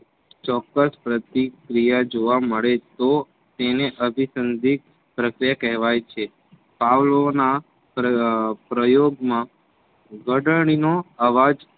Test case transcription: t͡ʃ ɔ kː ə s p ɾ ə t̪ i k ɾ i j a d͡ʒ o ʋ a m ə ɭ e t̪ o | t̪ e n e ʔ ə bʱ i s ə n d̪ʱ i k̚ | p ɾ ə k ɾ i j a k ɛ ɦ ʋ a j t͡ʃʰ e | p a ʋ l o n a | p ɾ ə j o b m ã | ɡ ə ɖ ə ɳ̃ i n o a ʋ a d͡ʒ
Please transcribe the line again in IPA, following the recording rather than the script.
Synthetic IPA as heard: t͡ʃ ɔ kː ə s p ɾ ə t̪ i k ɾ i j a d͡ʒ o ʋ a m ə ɭ e t̪ o | t̪ e n e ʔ ə bʱ i s ə n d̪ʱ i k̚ | p ɾ ə k ɾ i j a k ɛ ɦ ʋ a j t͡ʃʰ e | p a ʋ l o n a | p ɾ ə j o ɡ m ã | ɡ ə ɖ ə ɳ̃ i n o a ʋ a d͡ʒ